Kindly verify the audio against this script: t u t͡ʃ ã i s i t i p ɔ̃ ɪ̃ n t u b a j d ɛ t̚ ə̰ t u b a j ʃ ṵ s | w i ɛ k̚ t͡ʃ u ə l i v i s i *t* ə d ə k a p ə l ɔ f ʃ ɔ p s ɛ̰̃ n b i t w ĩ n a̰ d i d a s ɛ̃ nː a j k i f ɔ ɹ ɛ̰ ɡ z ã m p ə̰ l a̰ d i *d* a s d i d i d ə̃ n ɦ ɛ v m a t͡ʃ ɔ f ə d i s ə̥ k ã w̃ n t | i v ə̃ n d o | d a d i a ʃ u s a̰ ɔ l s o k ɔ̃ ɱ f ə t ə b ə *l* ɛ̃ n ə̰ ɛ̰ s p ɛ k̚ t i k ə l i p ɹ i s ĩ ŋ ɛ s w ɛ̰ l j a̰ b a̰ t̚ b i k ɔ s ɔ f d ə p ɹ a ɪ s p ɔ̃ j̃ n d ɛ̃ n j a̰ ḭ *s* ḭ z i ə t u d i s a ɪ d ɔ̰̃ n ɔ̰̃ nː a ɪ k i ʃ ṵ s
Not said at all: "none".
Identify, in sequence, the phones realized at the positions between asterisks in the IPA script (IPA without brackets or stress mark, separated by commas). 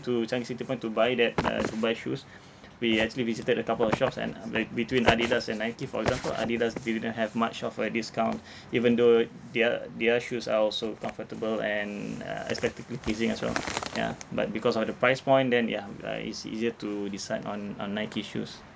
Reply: t, d, l, s